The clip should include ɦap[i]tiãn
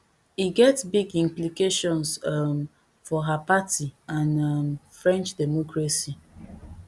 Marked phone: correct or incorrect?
incorrect: a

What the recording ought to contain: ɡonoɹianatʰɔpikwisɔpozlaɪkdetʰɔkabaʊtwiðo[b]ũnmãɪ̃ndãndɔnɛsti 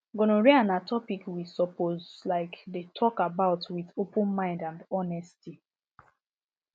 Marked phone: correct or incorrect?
incorrect: p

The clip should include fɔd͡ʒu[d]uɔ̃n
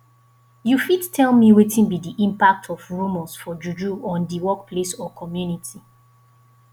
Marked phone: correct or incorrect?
incorrect: d͡ʒ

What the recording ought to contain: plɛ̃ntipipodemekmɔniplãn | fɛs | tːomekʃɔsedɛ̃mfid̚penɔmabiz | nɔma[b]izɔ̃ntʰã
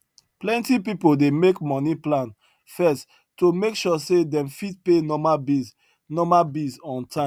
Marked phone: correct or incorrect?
correct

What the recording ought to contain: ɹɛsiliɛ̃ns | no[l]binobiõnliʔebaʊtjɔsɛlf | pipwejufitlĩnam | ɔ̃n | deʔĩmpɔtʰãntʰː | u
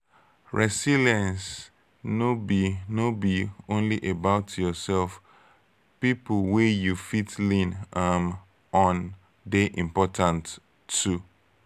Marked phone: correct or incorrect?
incorrect: none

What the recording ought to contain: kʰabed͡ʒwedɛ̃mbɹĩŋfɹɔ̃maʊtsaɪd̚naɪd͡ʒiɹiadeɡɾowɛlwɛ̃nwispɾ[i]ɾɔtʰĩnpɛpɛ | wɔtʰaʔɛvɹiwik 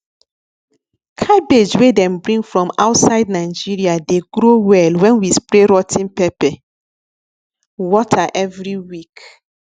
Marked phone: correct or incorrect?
incorrect: e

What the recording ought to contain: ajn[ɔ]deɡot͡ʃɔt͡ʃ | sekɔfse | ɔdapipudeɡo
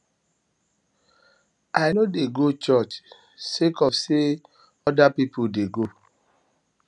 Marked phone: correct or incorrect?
incorrect: o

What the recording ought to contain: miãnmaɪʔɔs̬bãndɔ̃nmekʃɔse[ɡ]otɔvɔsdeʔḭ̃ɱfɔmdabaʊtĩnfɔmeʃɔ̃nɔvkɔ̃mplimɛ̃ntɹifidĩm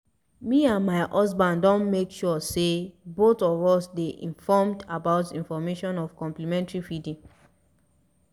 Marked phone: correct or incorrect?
incorrect: b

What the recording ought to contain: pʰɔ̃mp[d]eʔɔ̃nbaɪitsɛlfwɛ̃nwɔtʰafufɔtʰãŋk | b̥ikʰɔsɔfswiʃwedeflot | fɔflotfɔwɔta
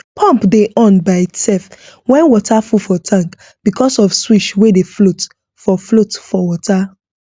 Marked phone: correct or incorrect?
correct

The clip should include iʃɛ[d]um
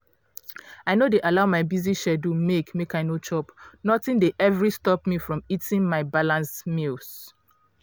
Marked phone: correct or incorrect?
correct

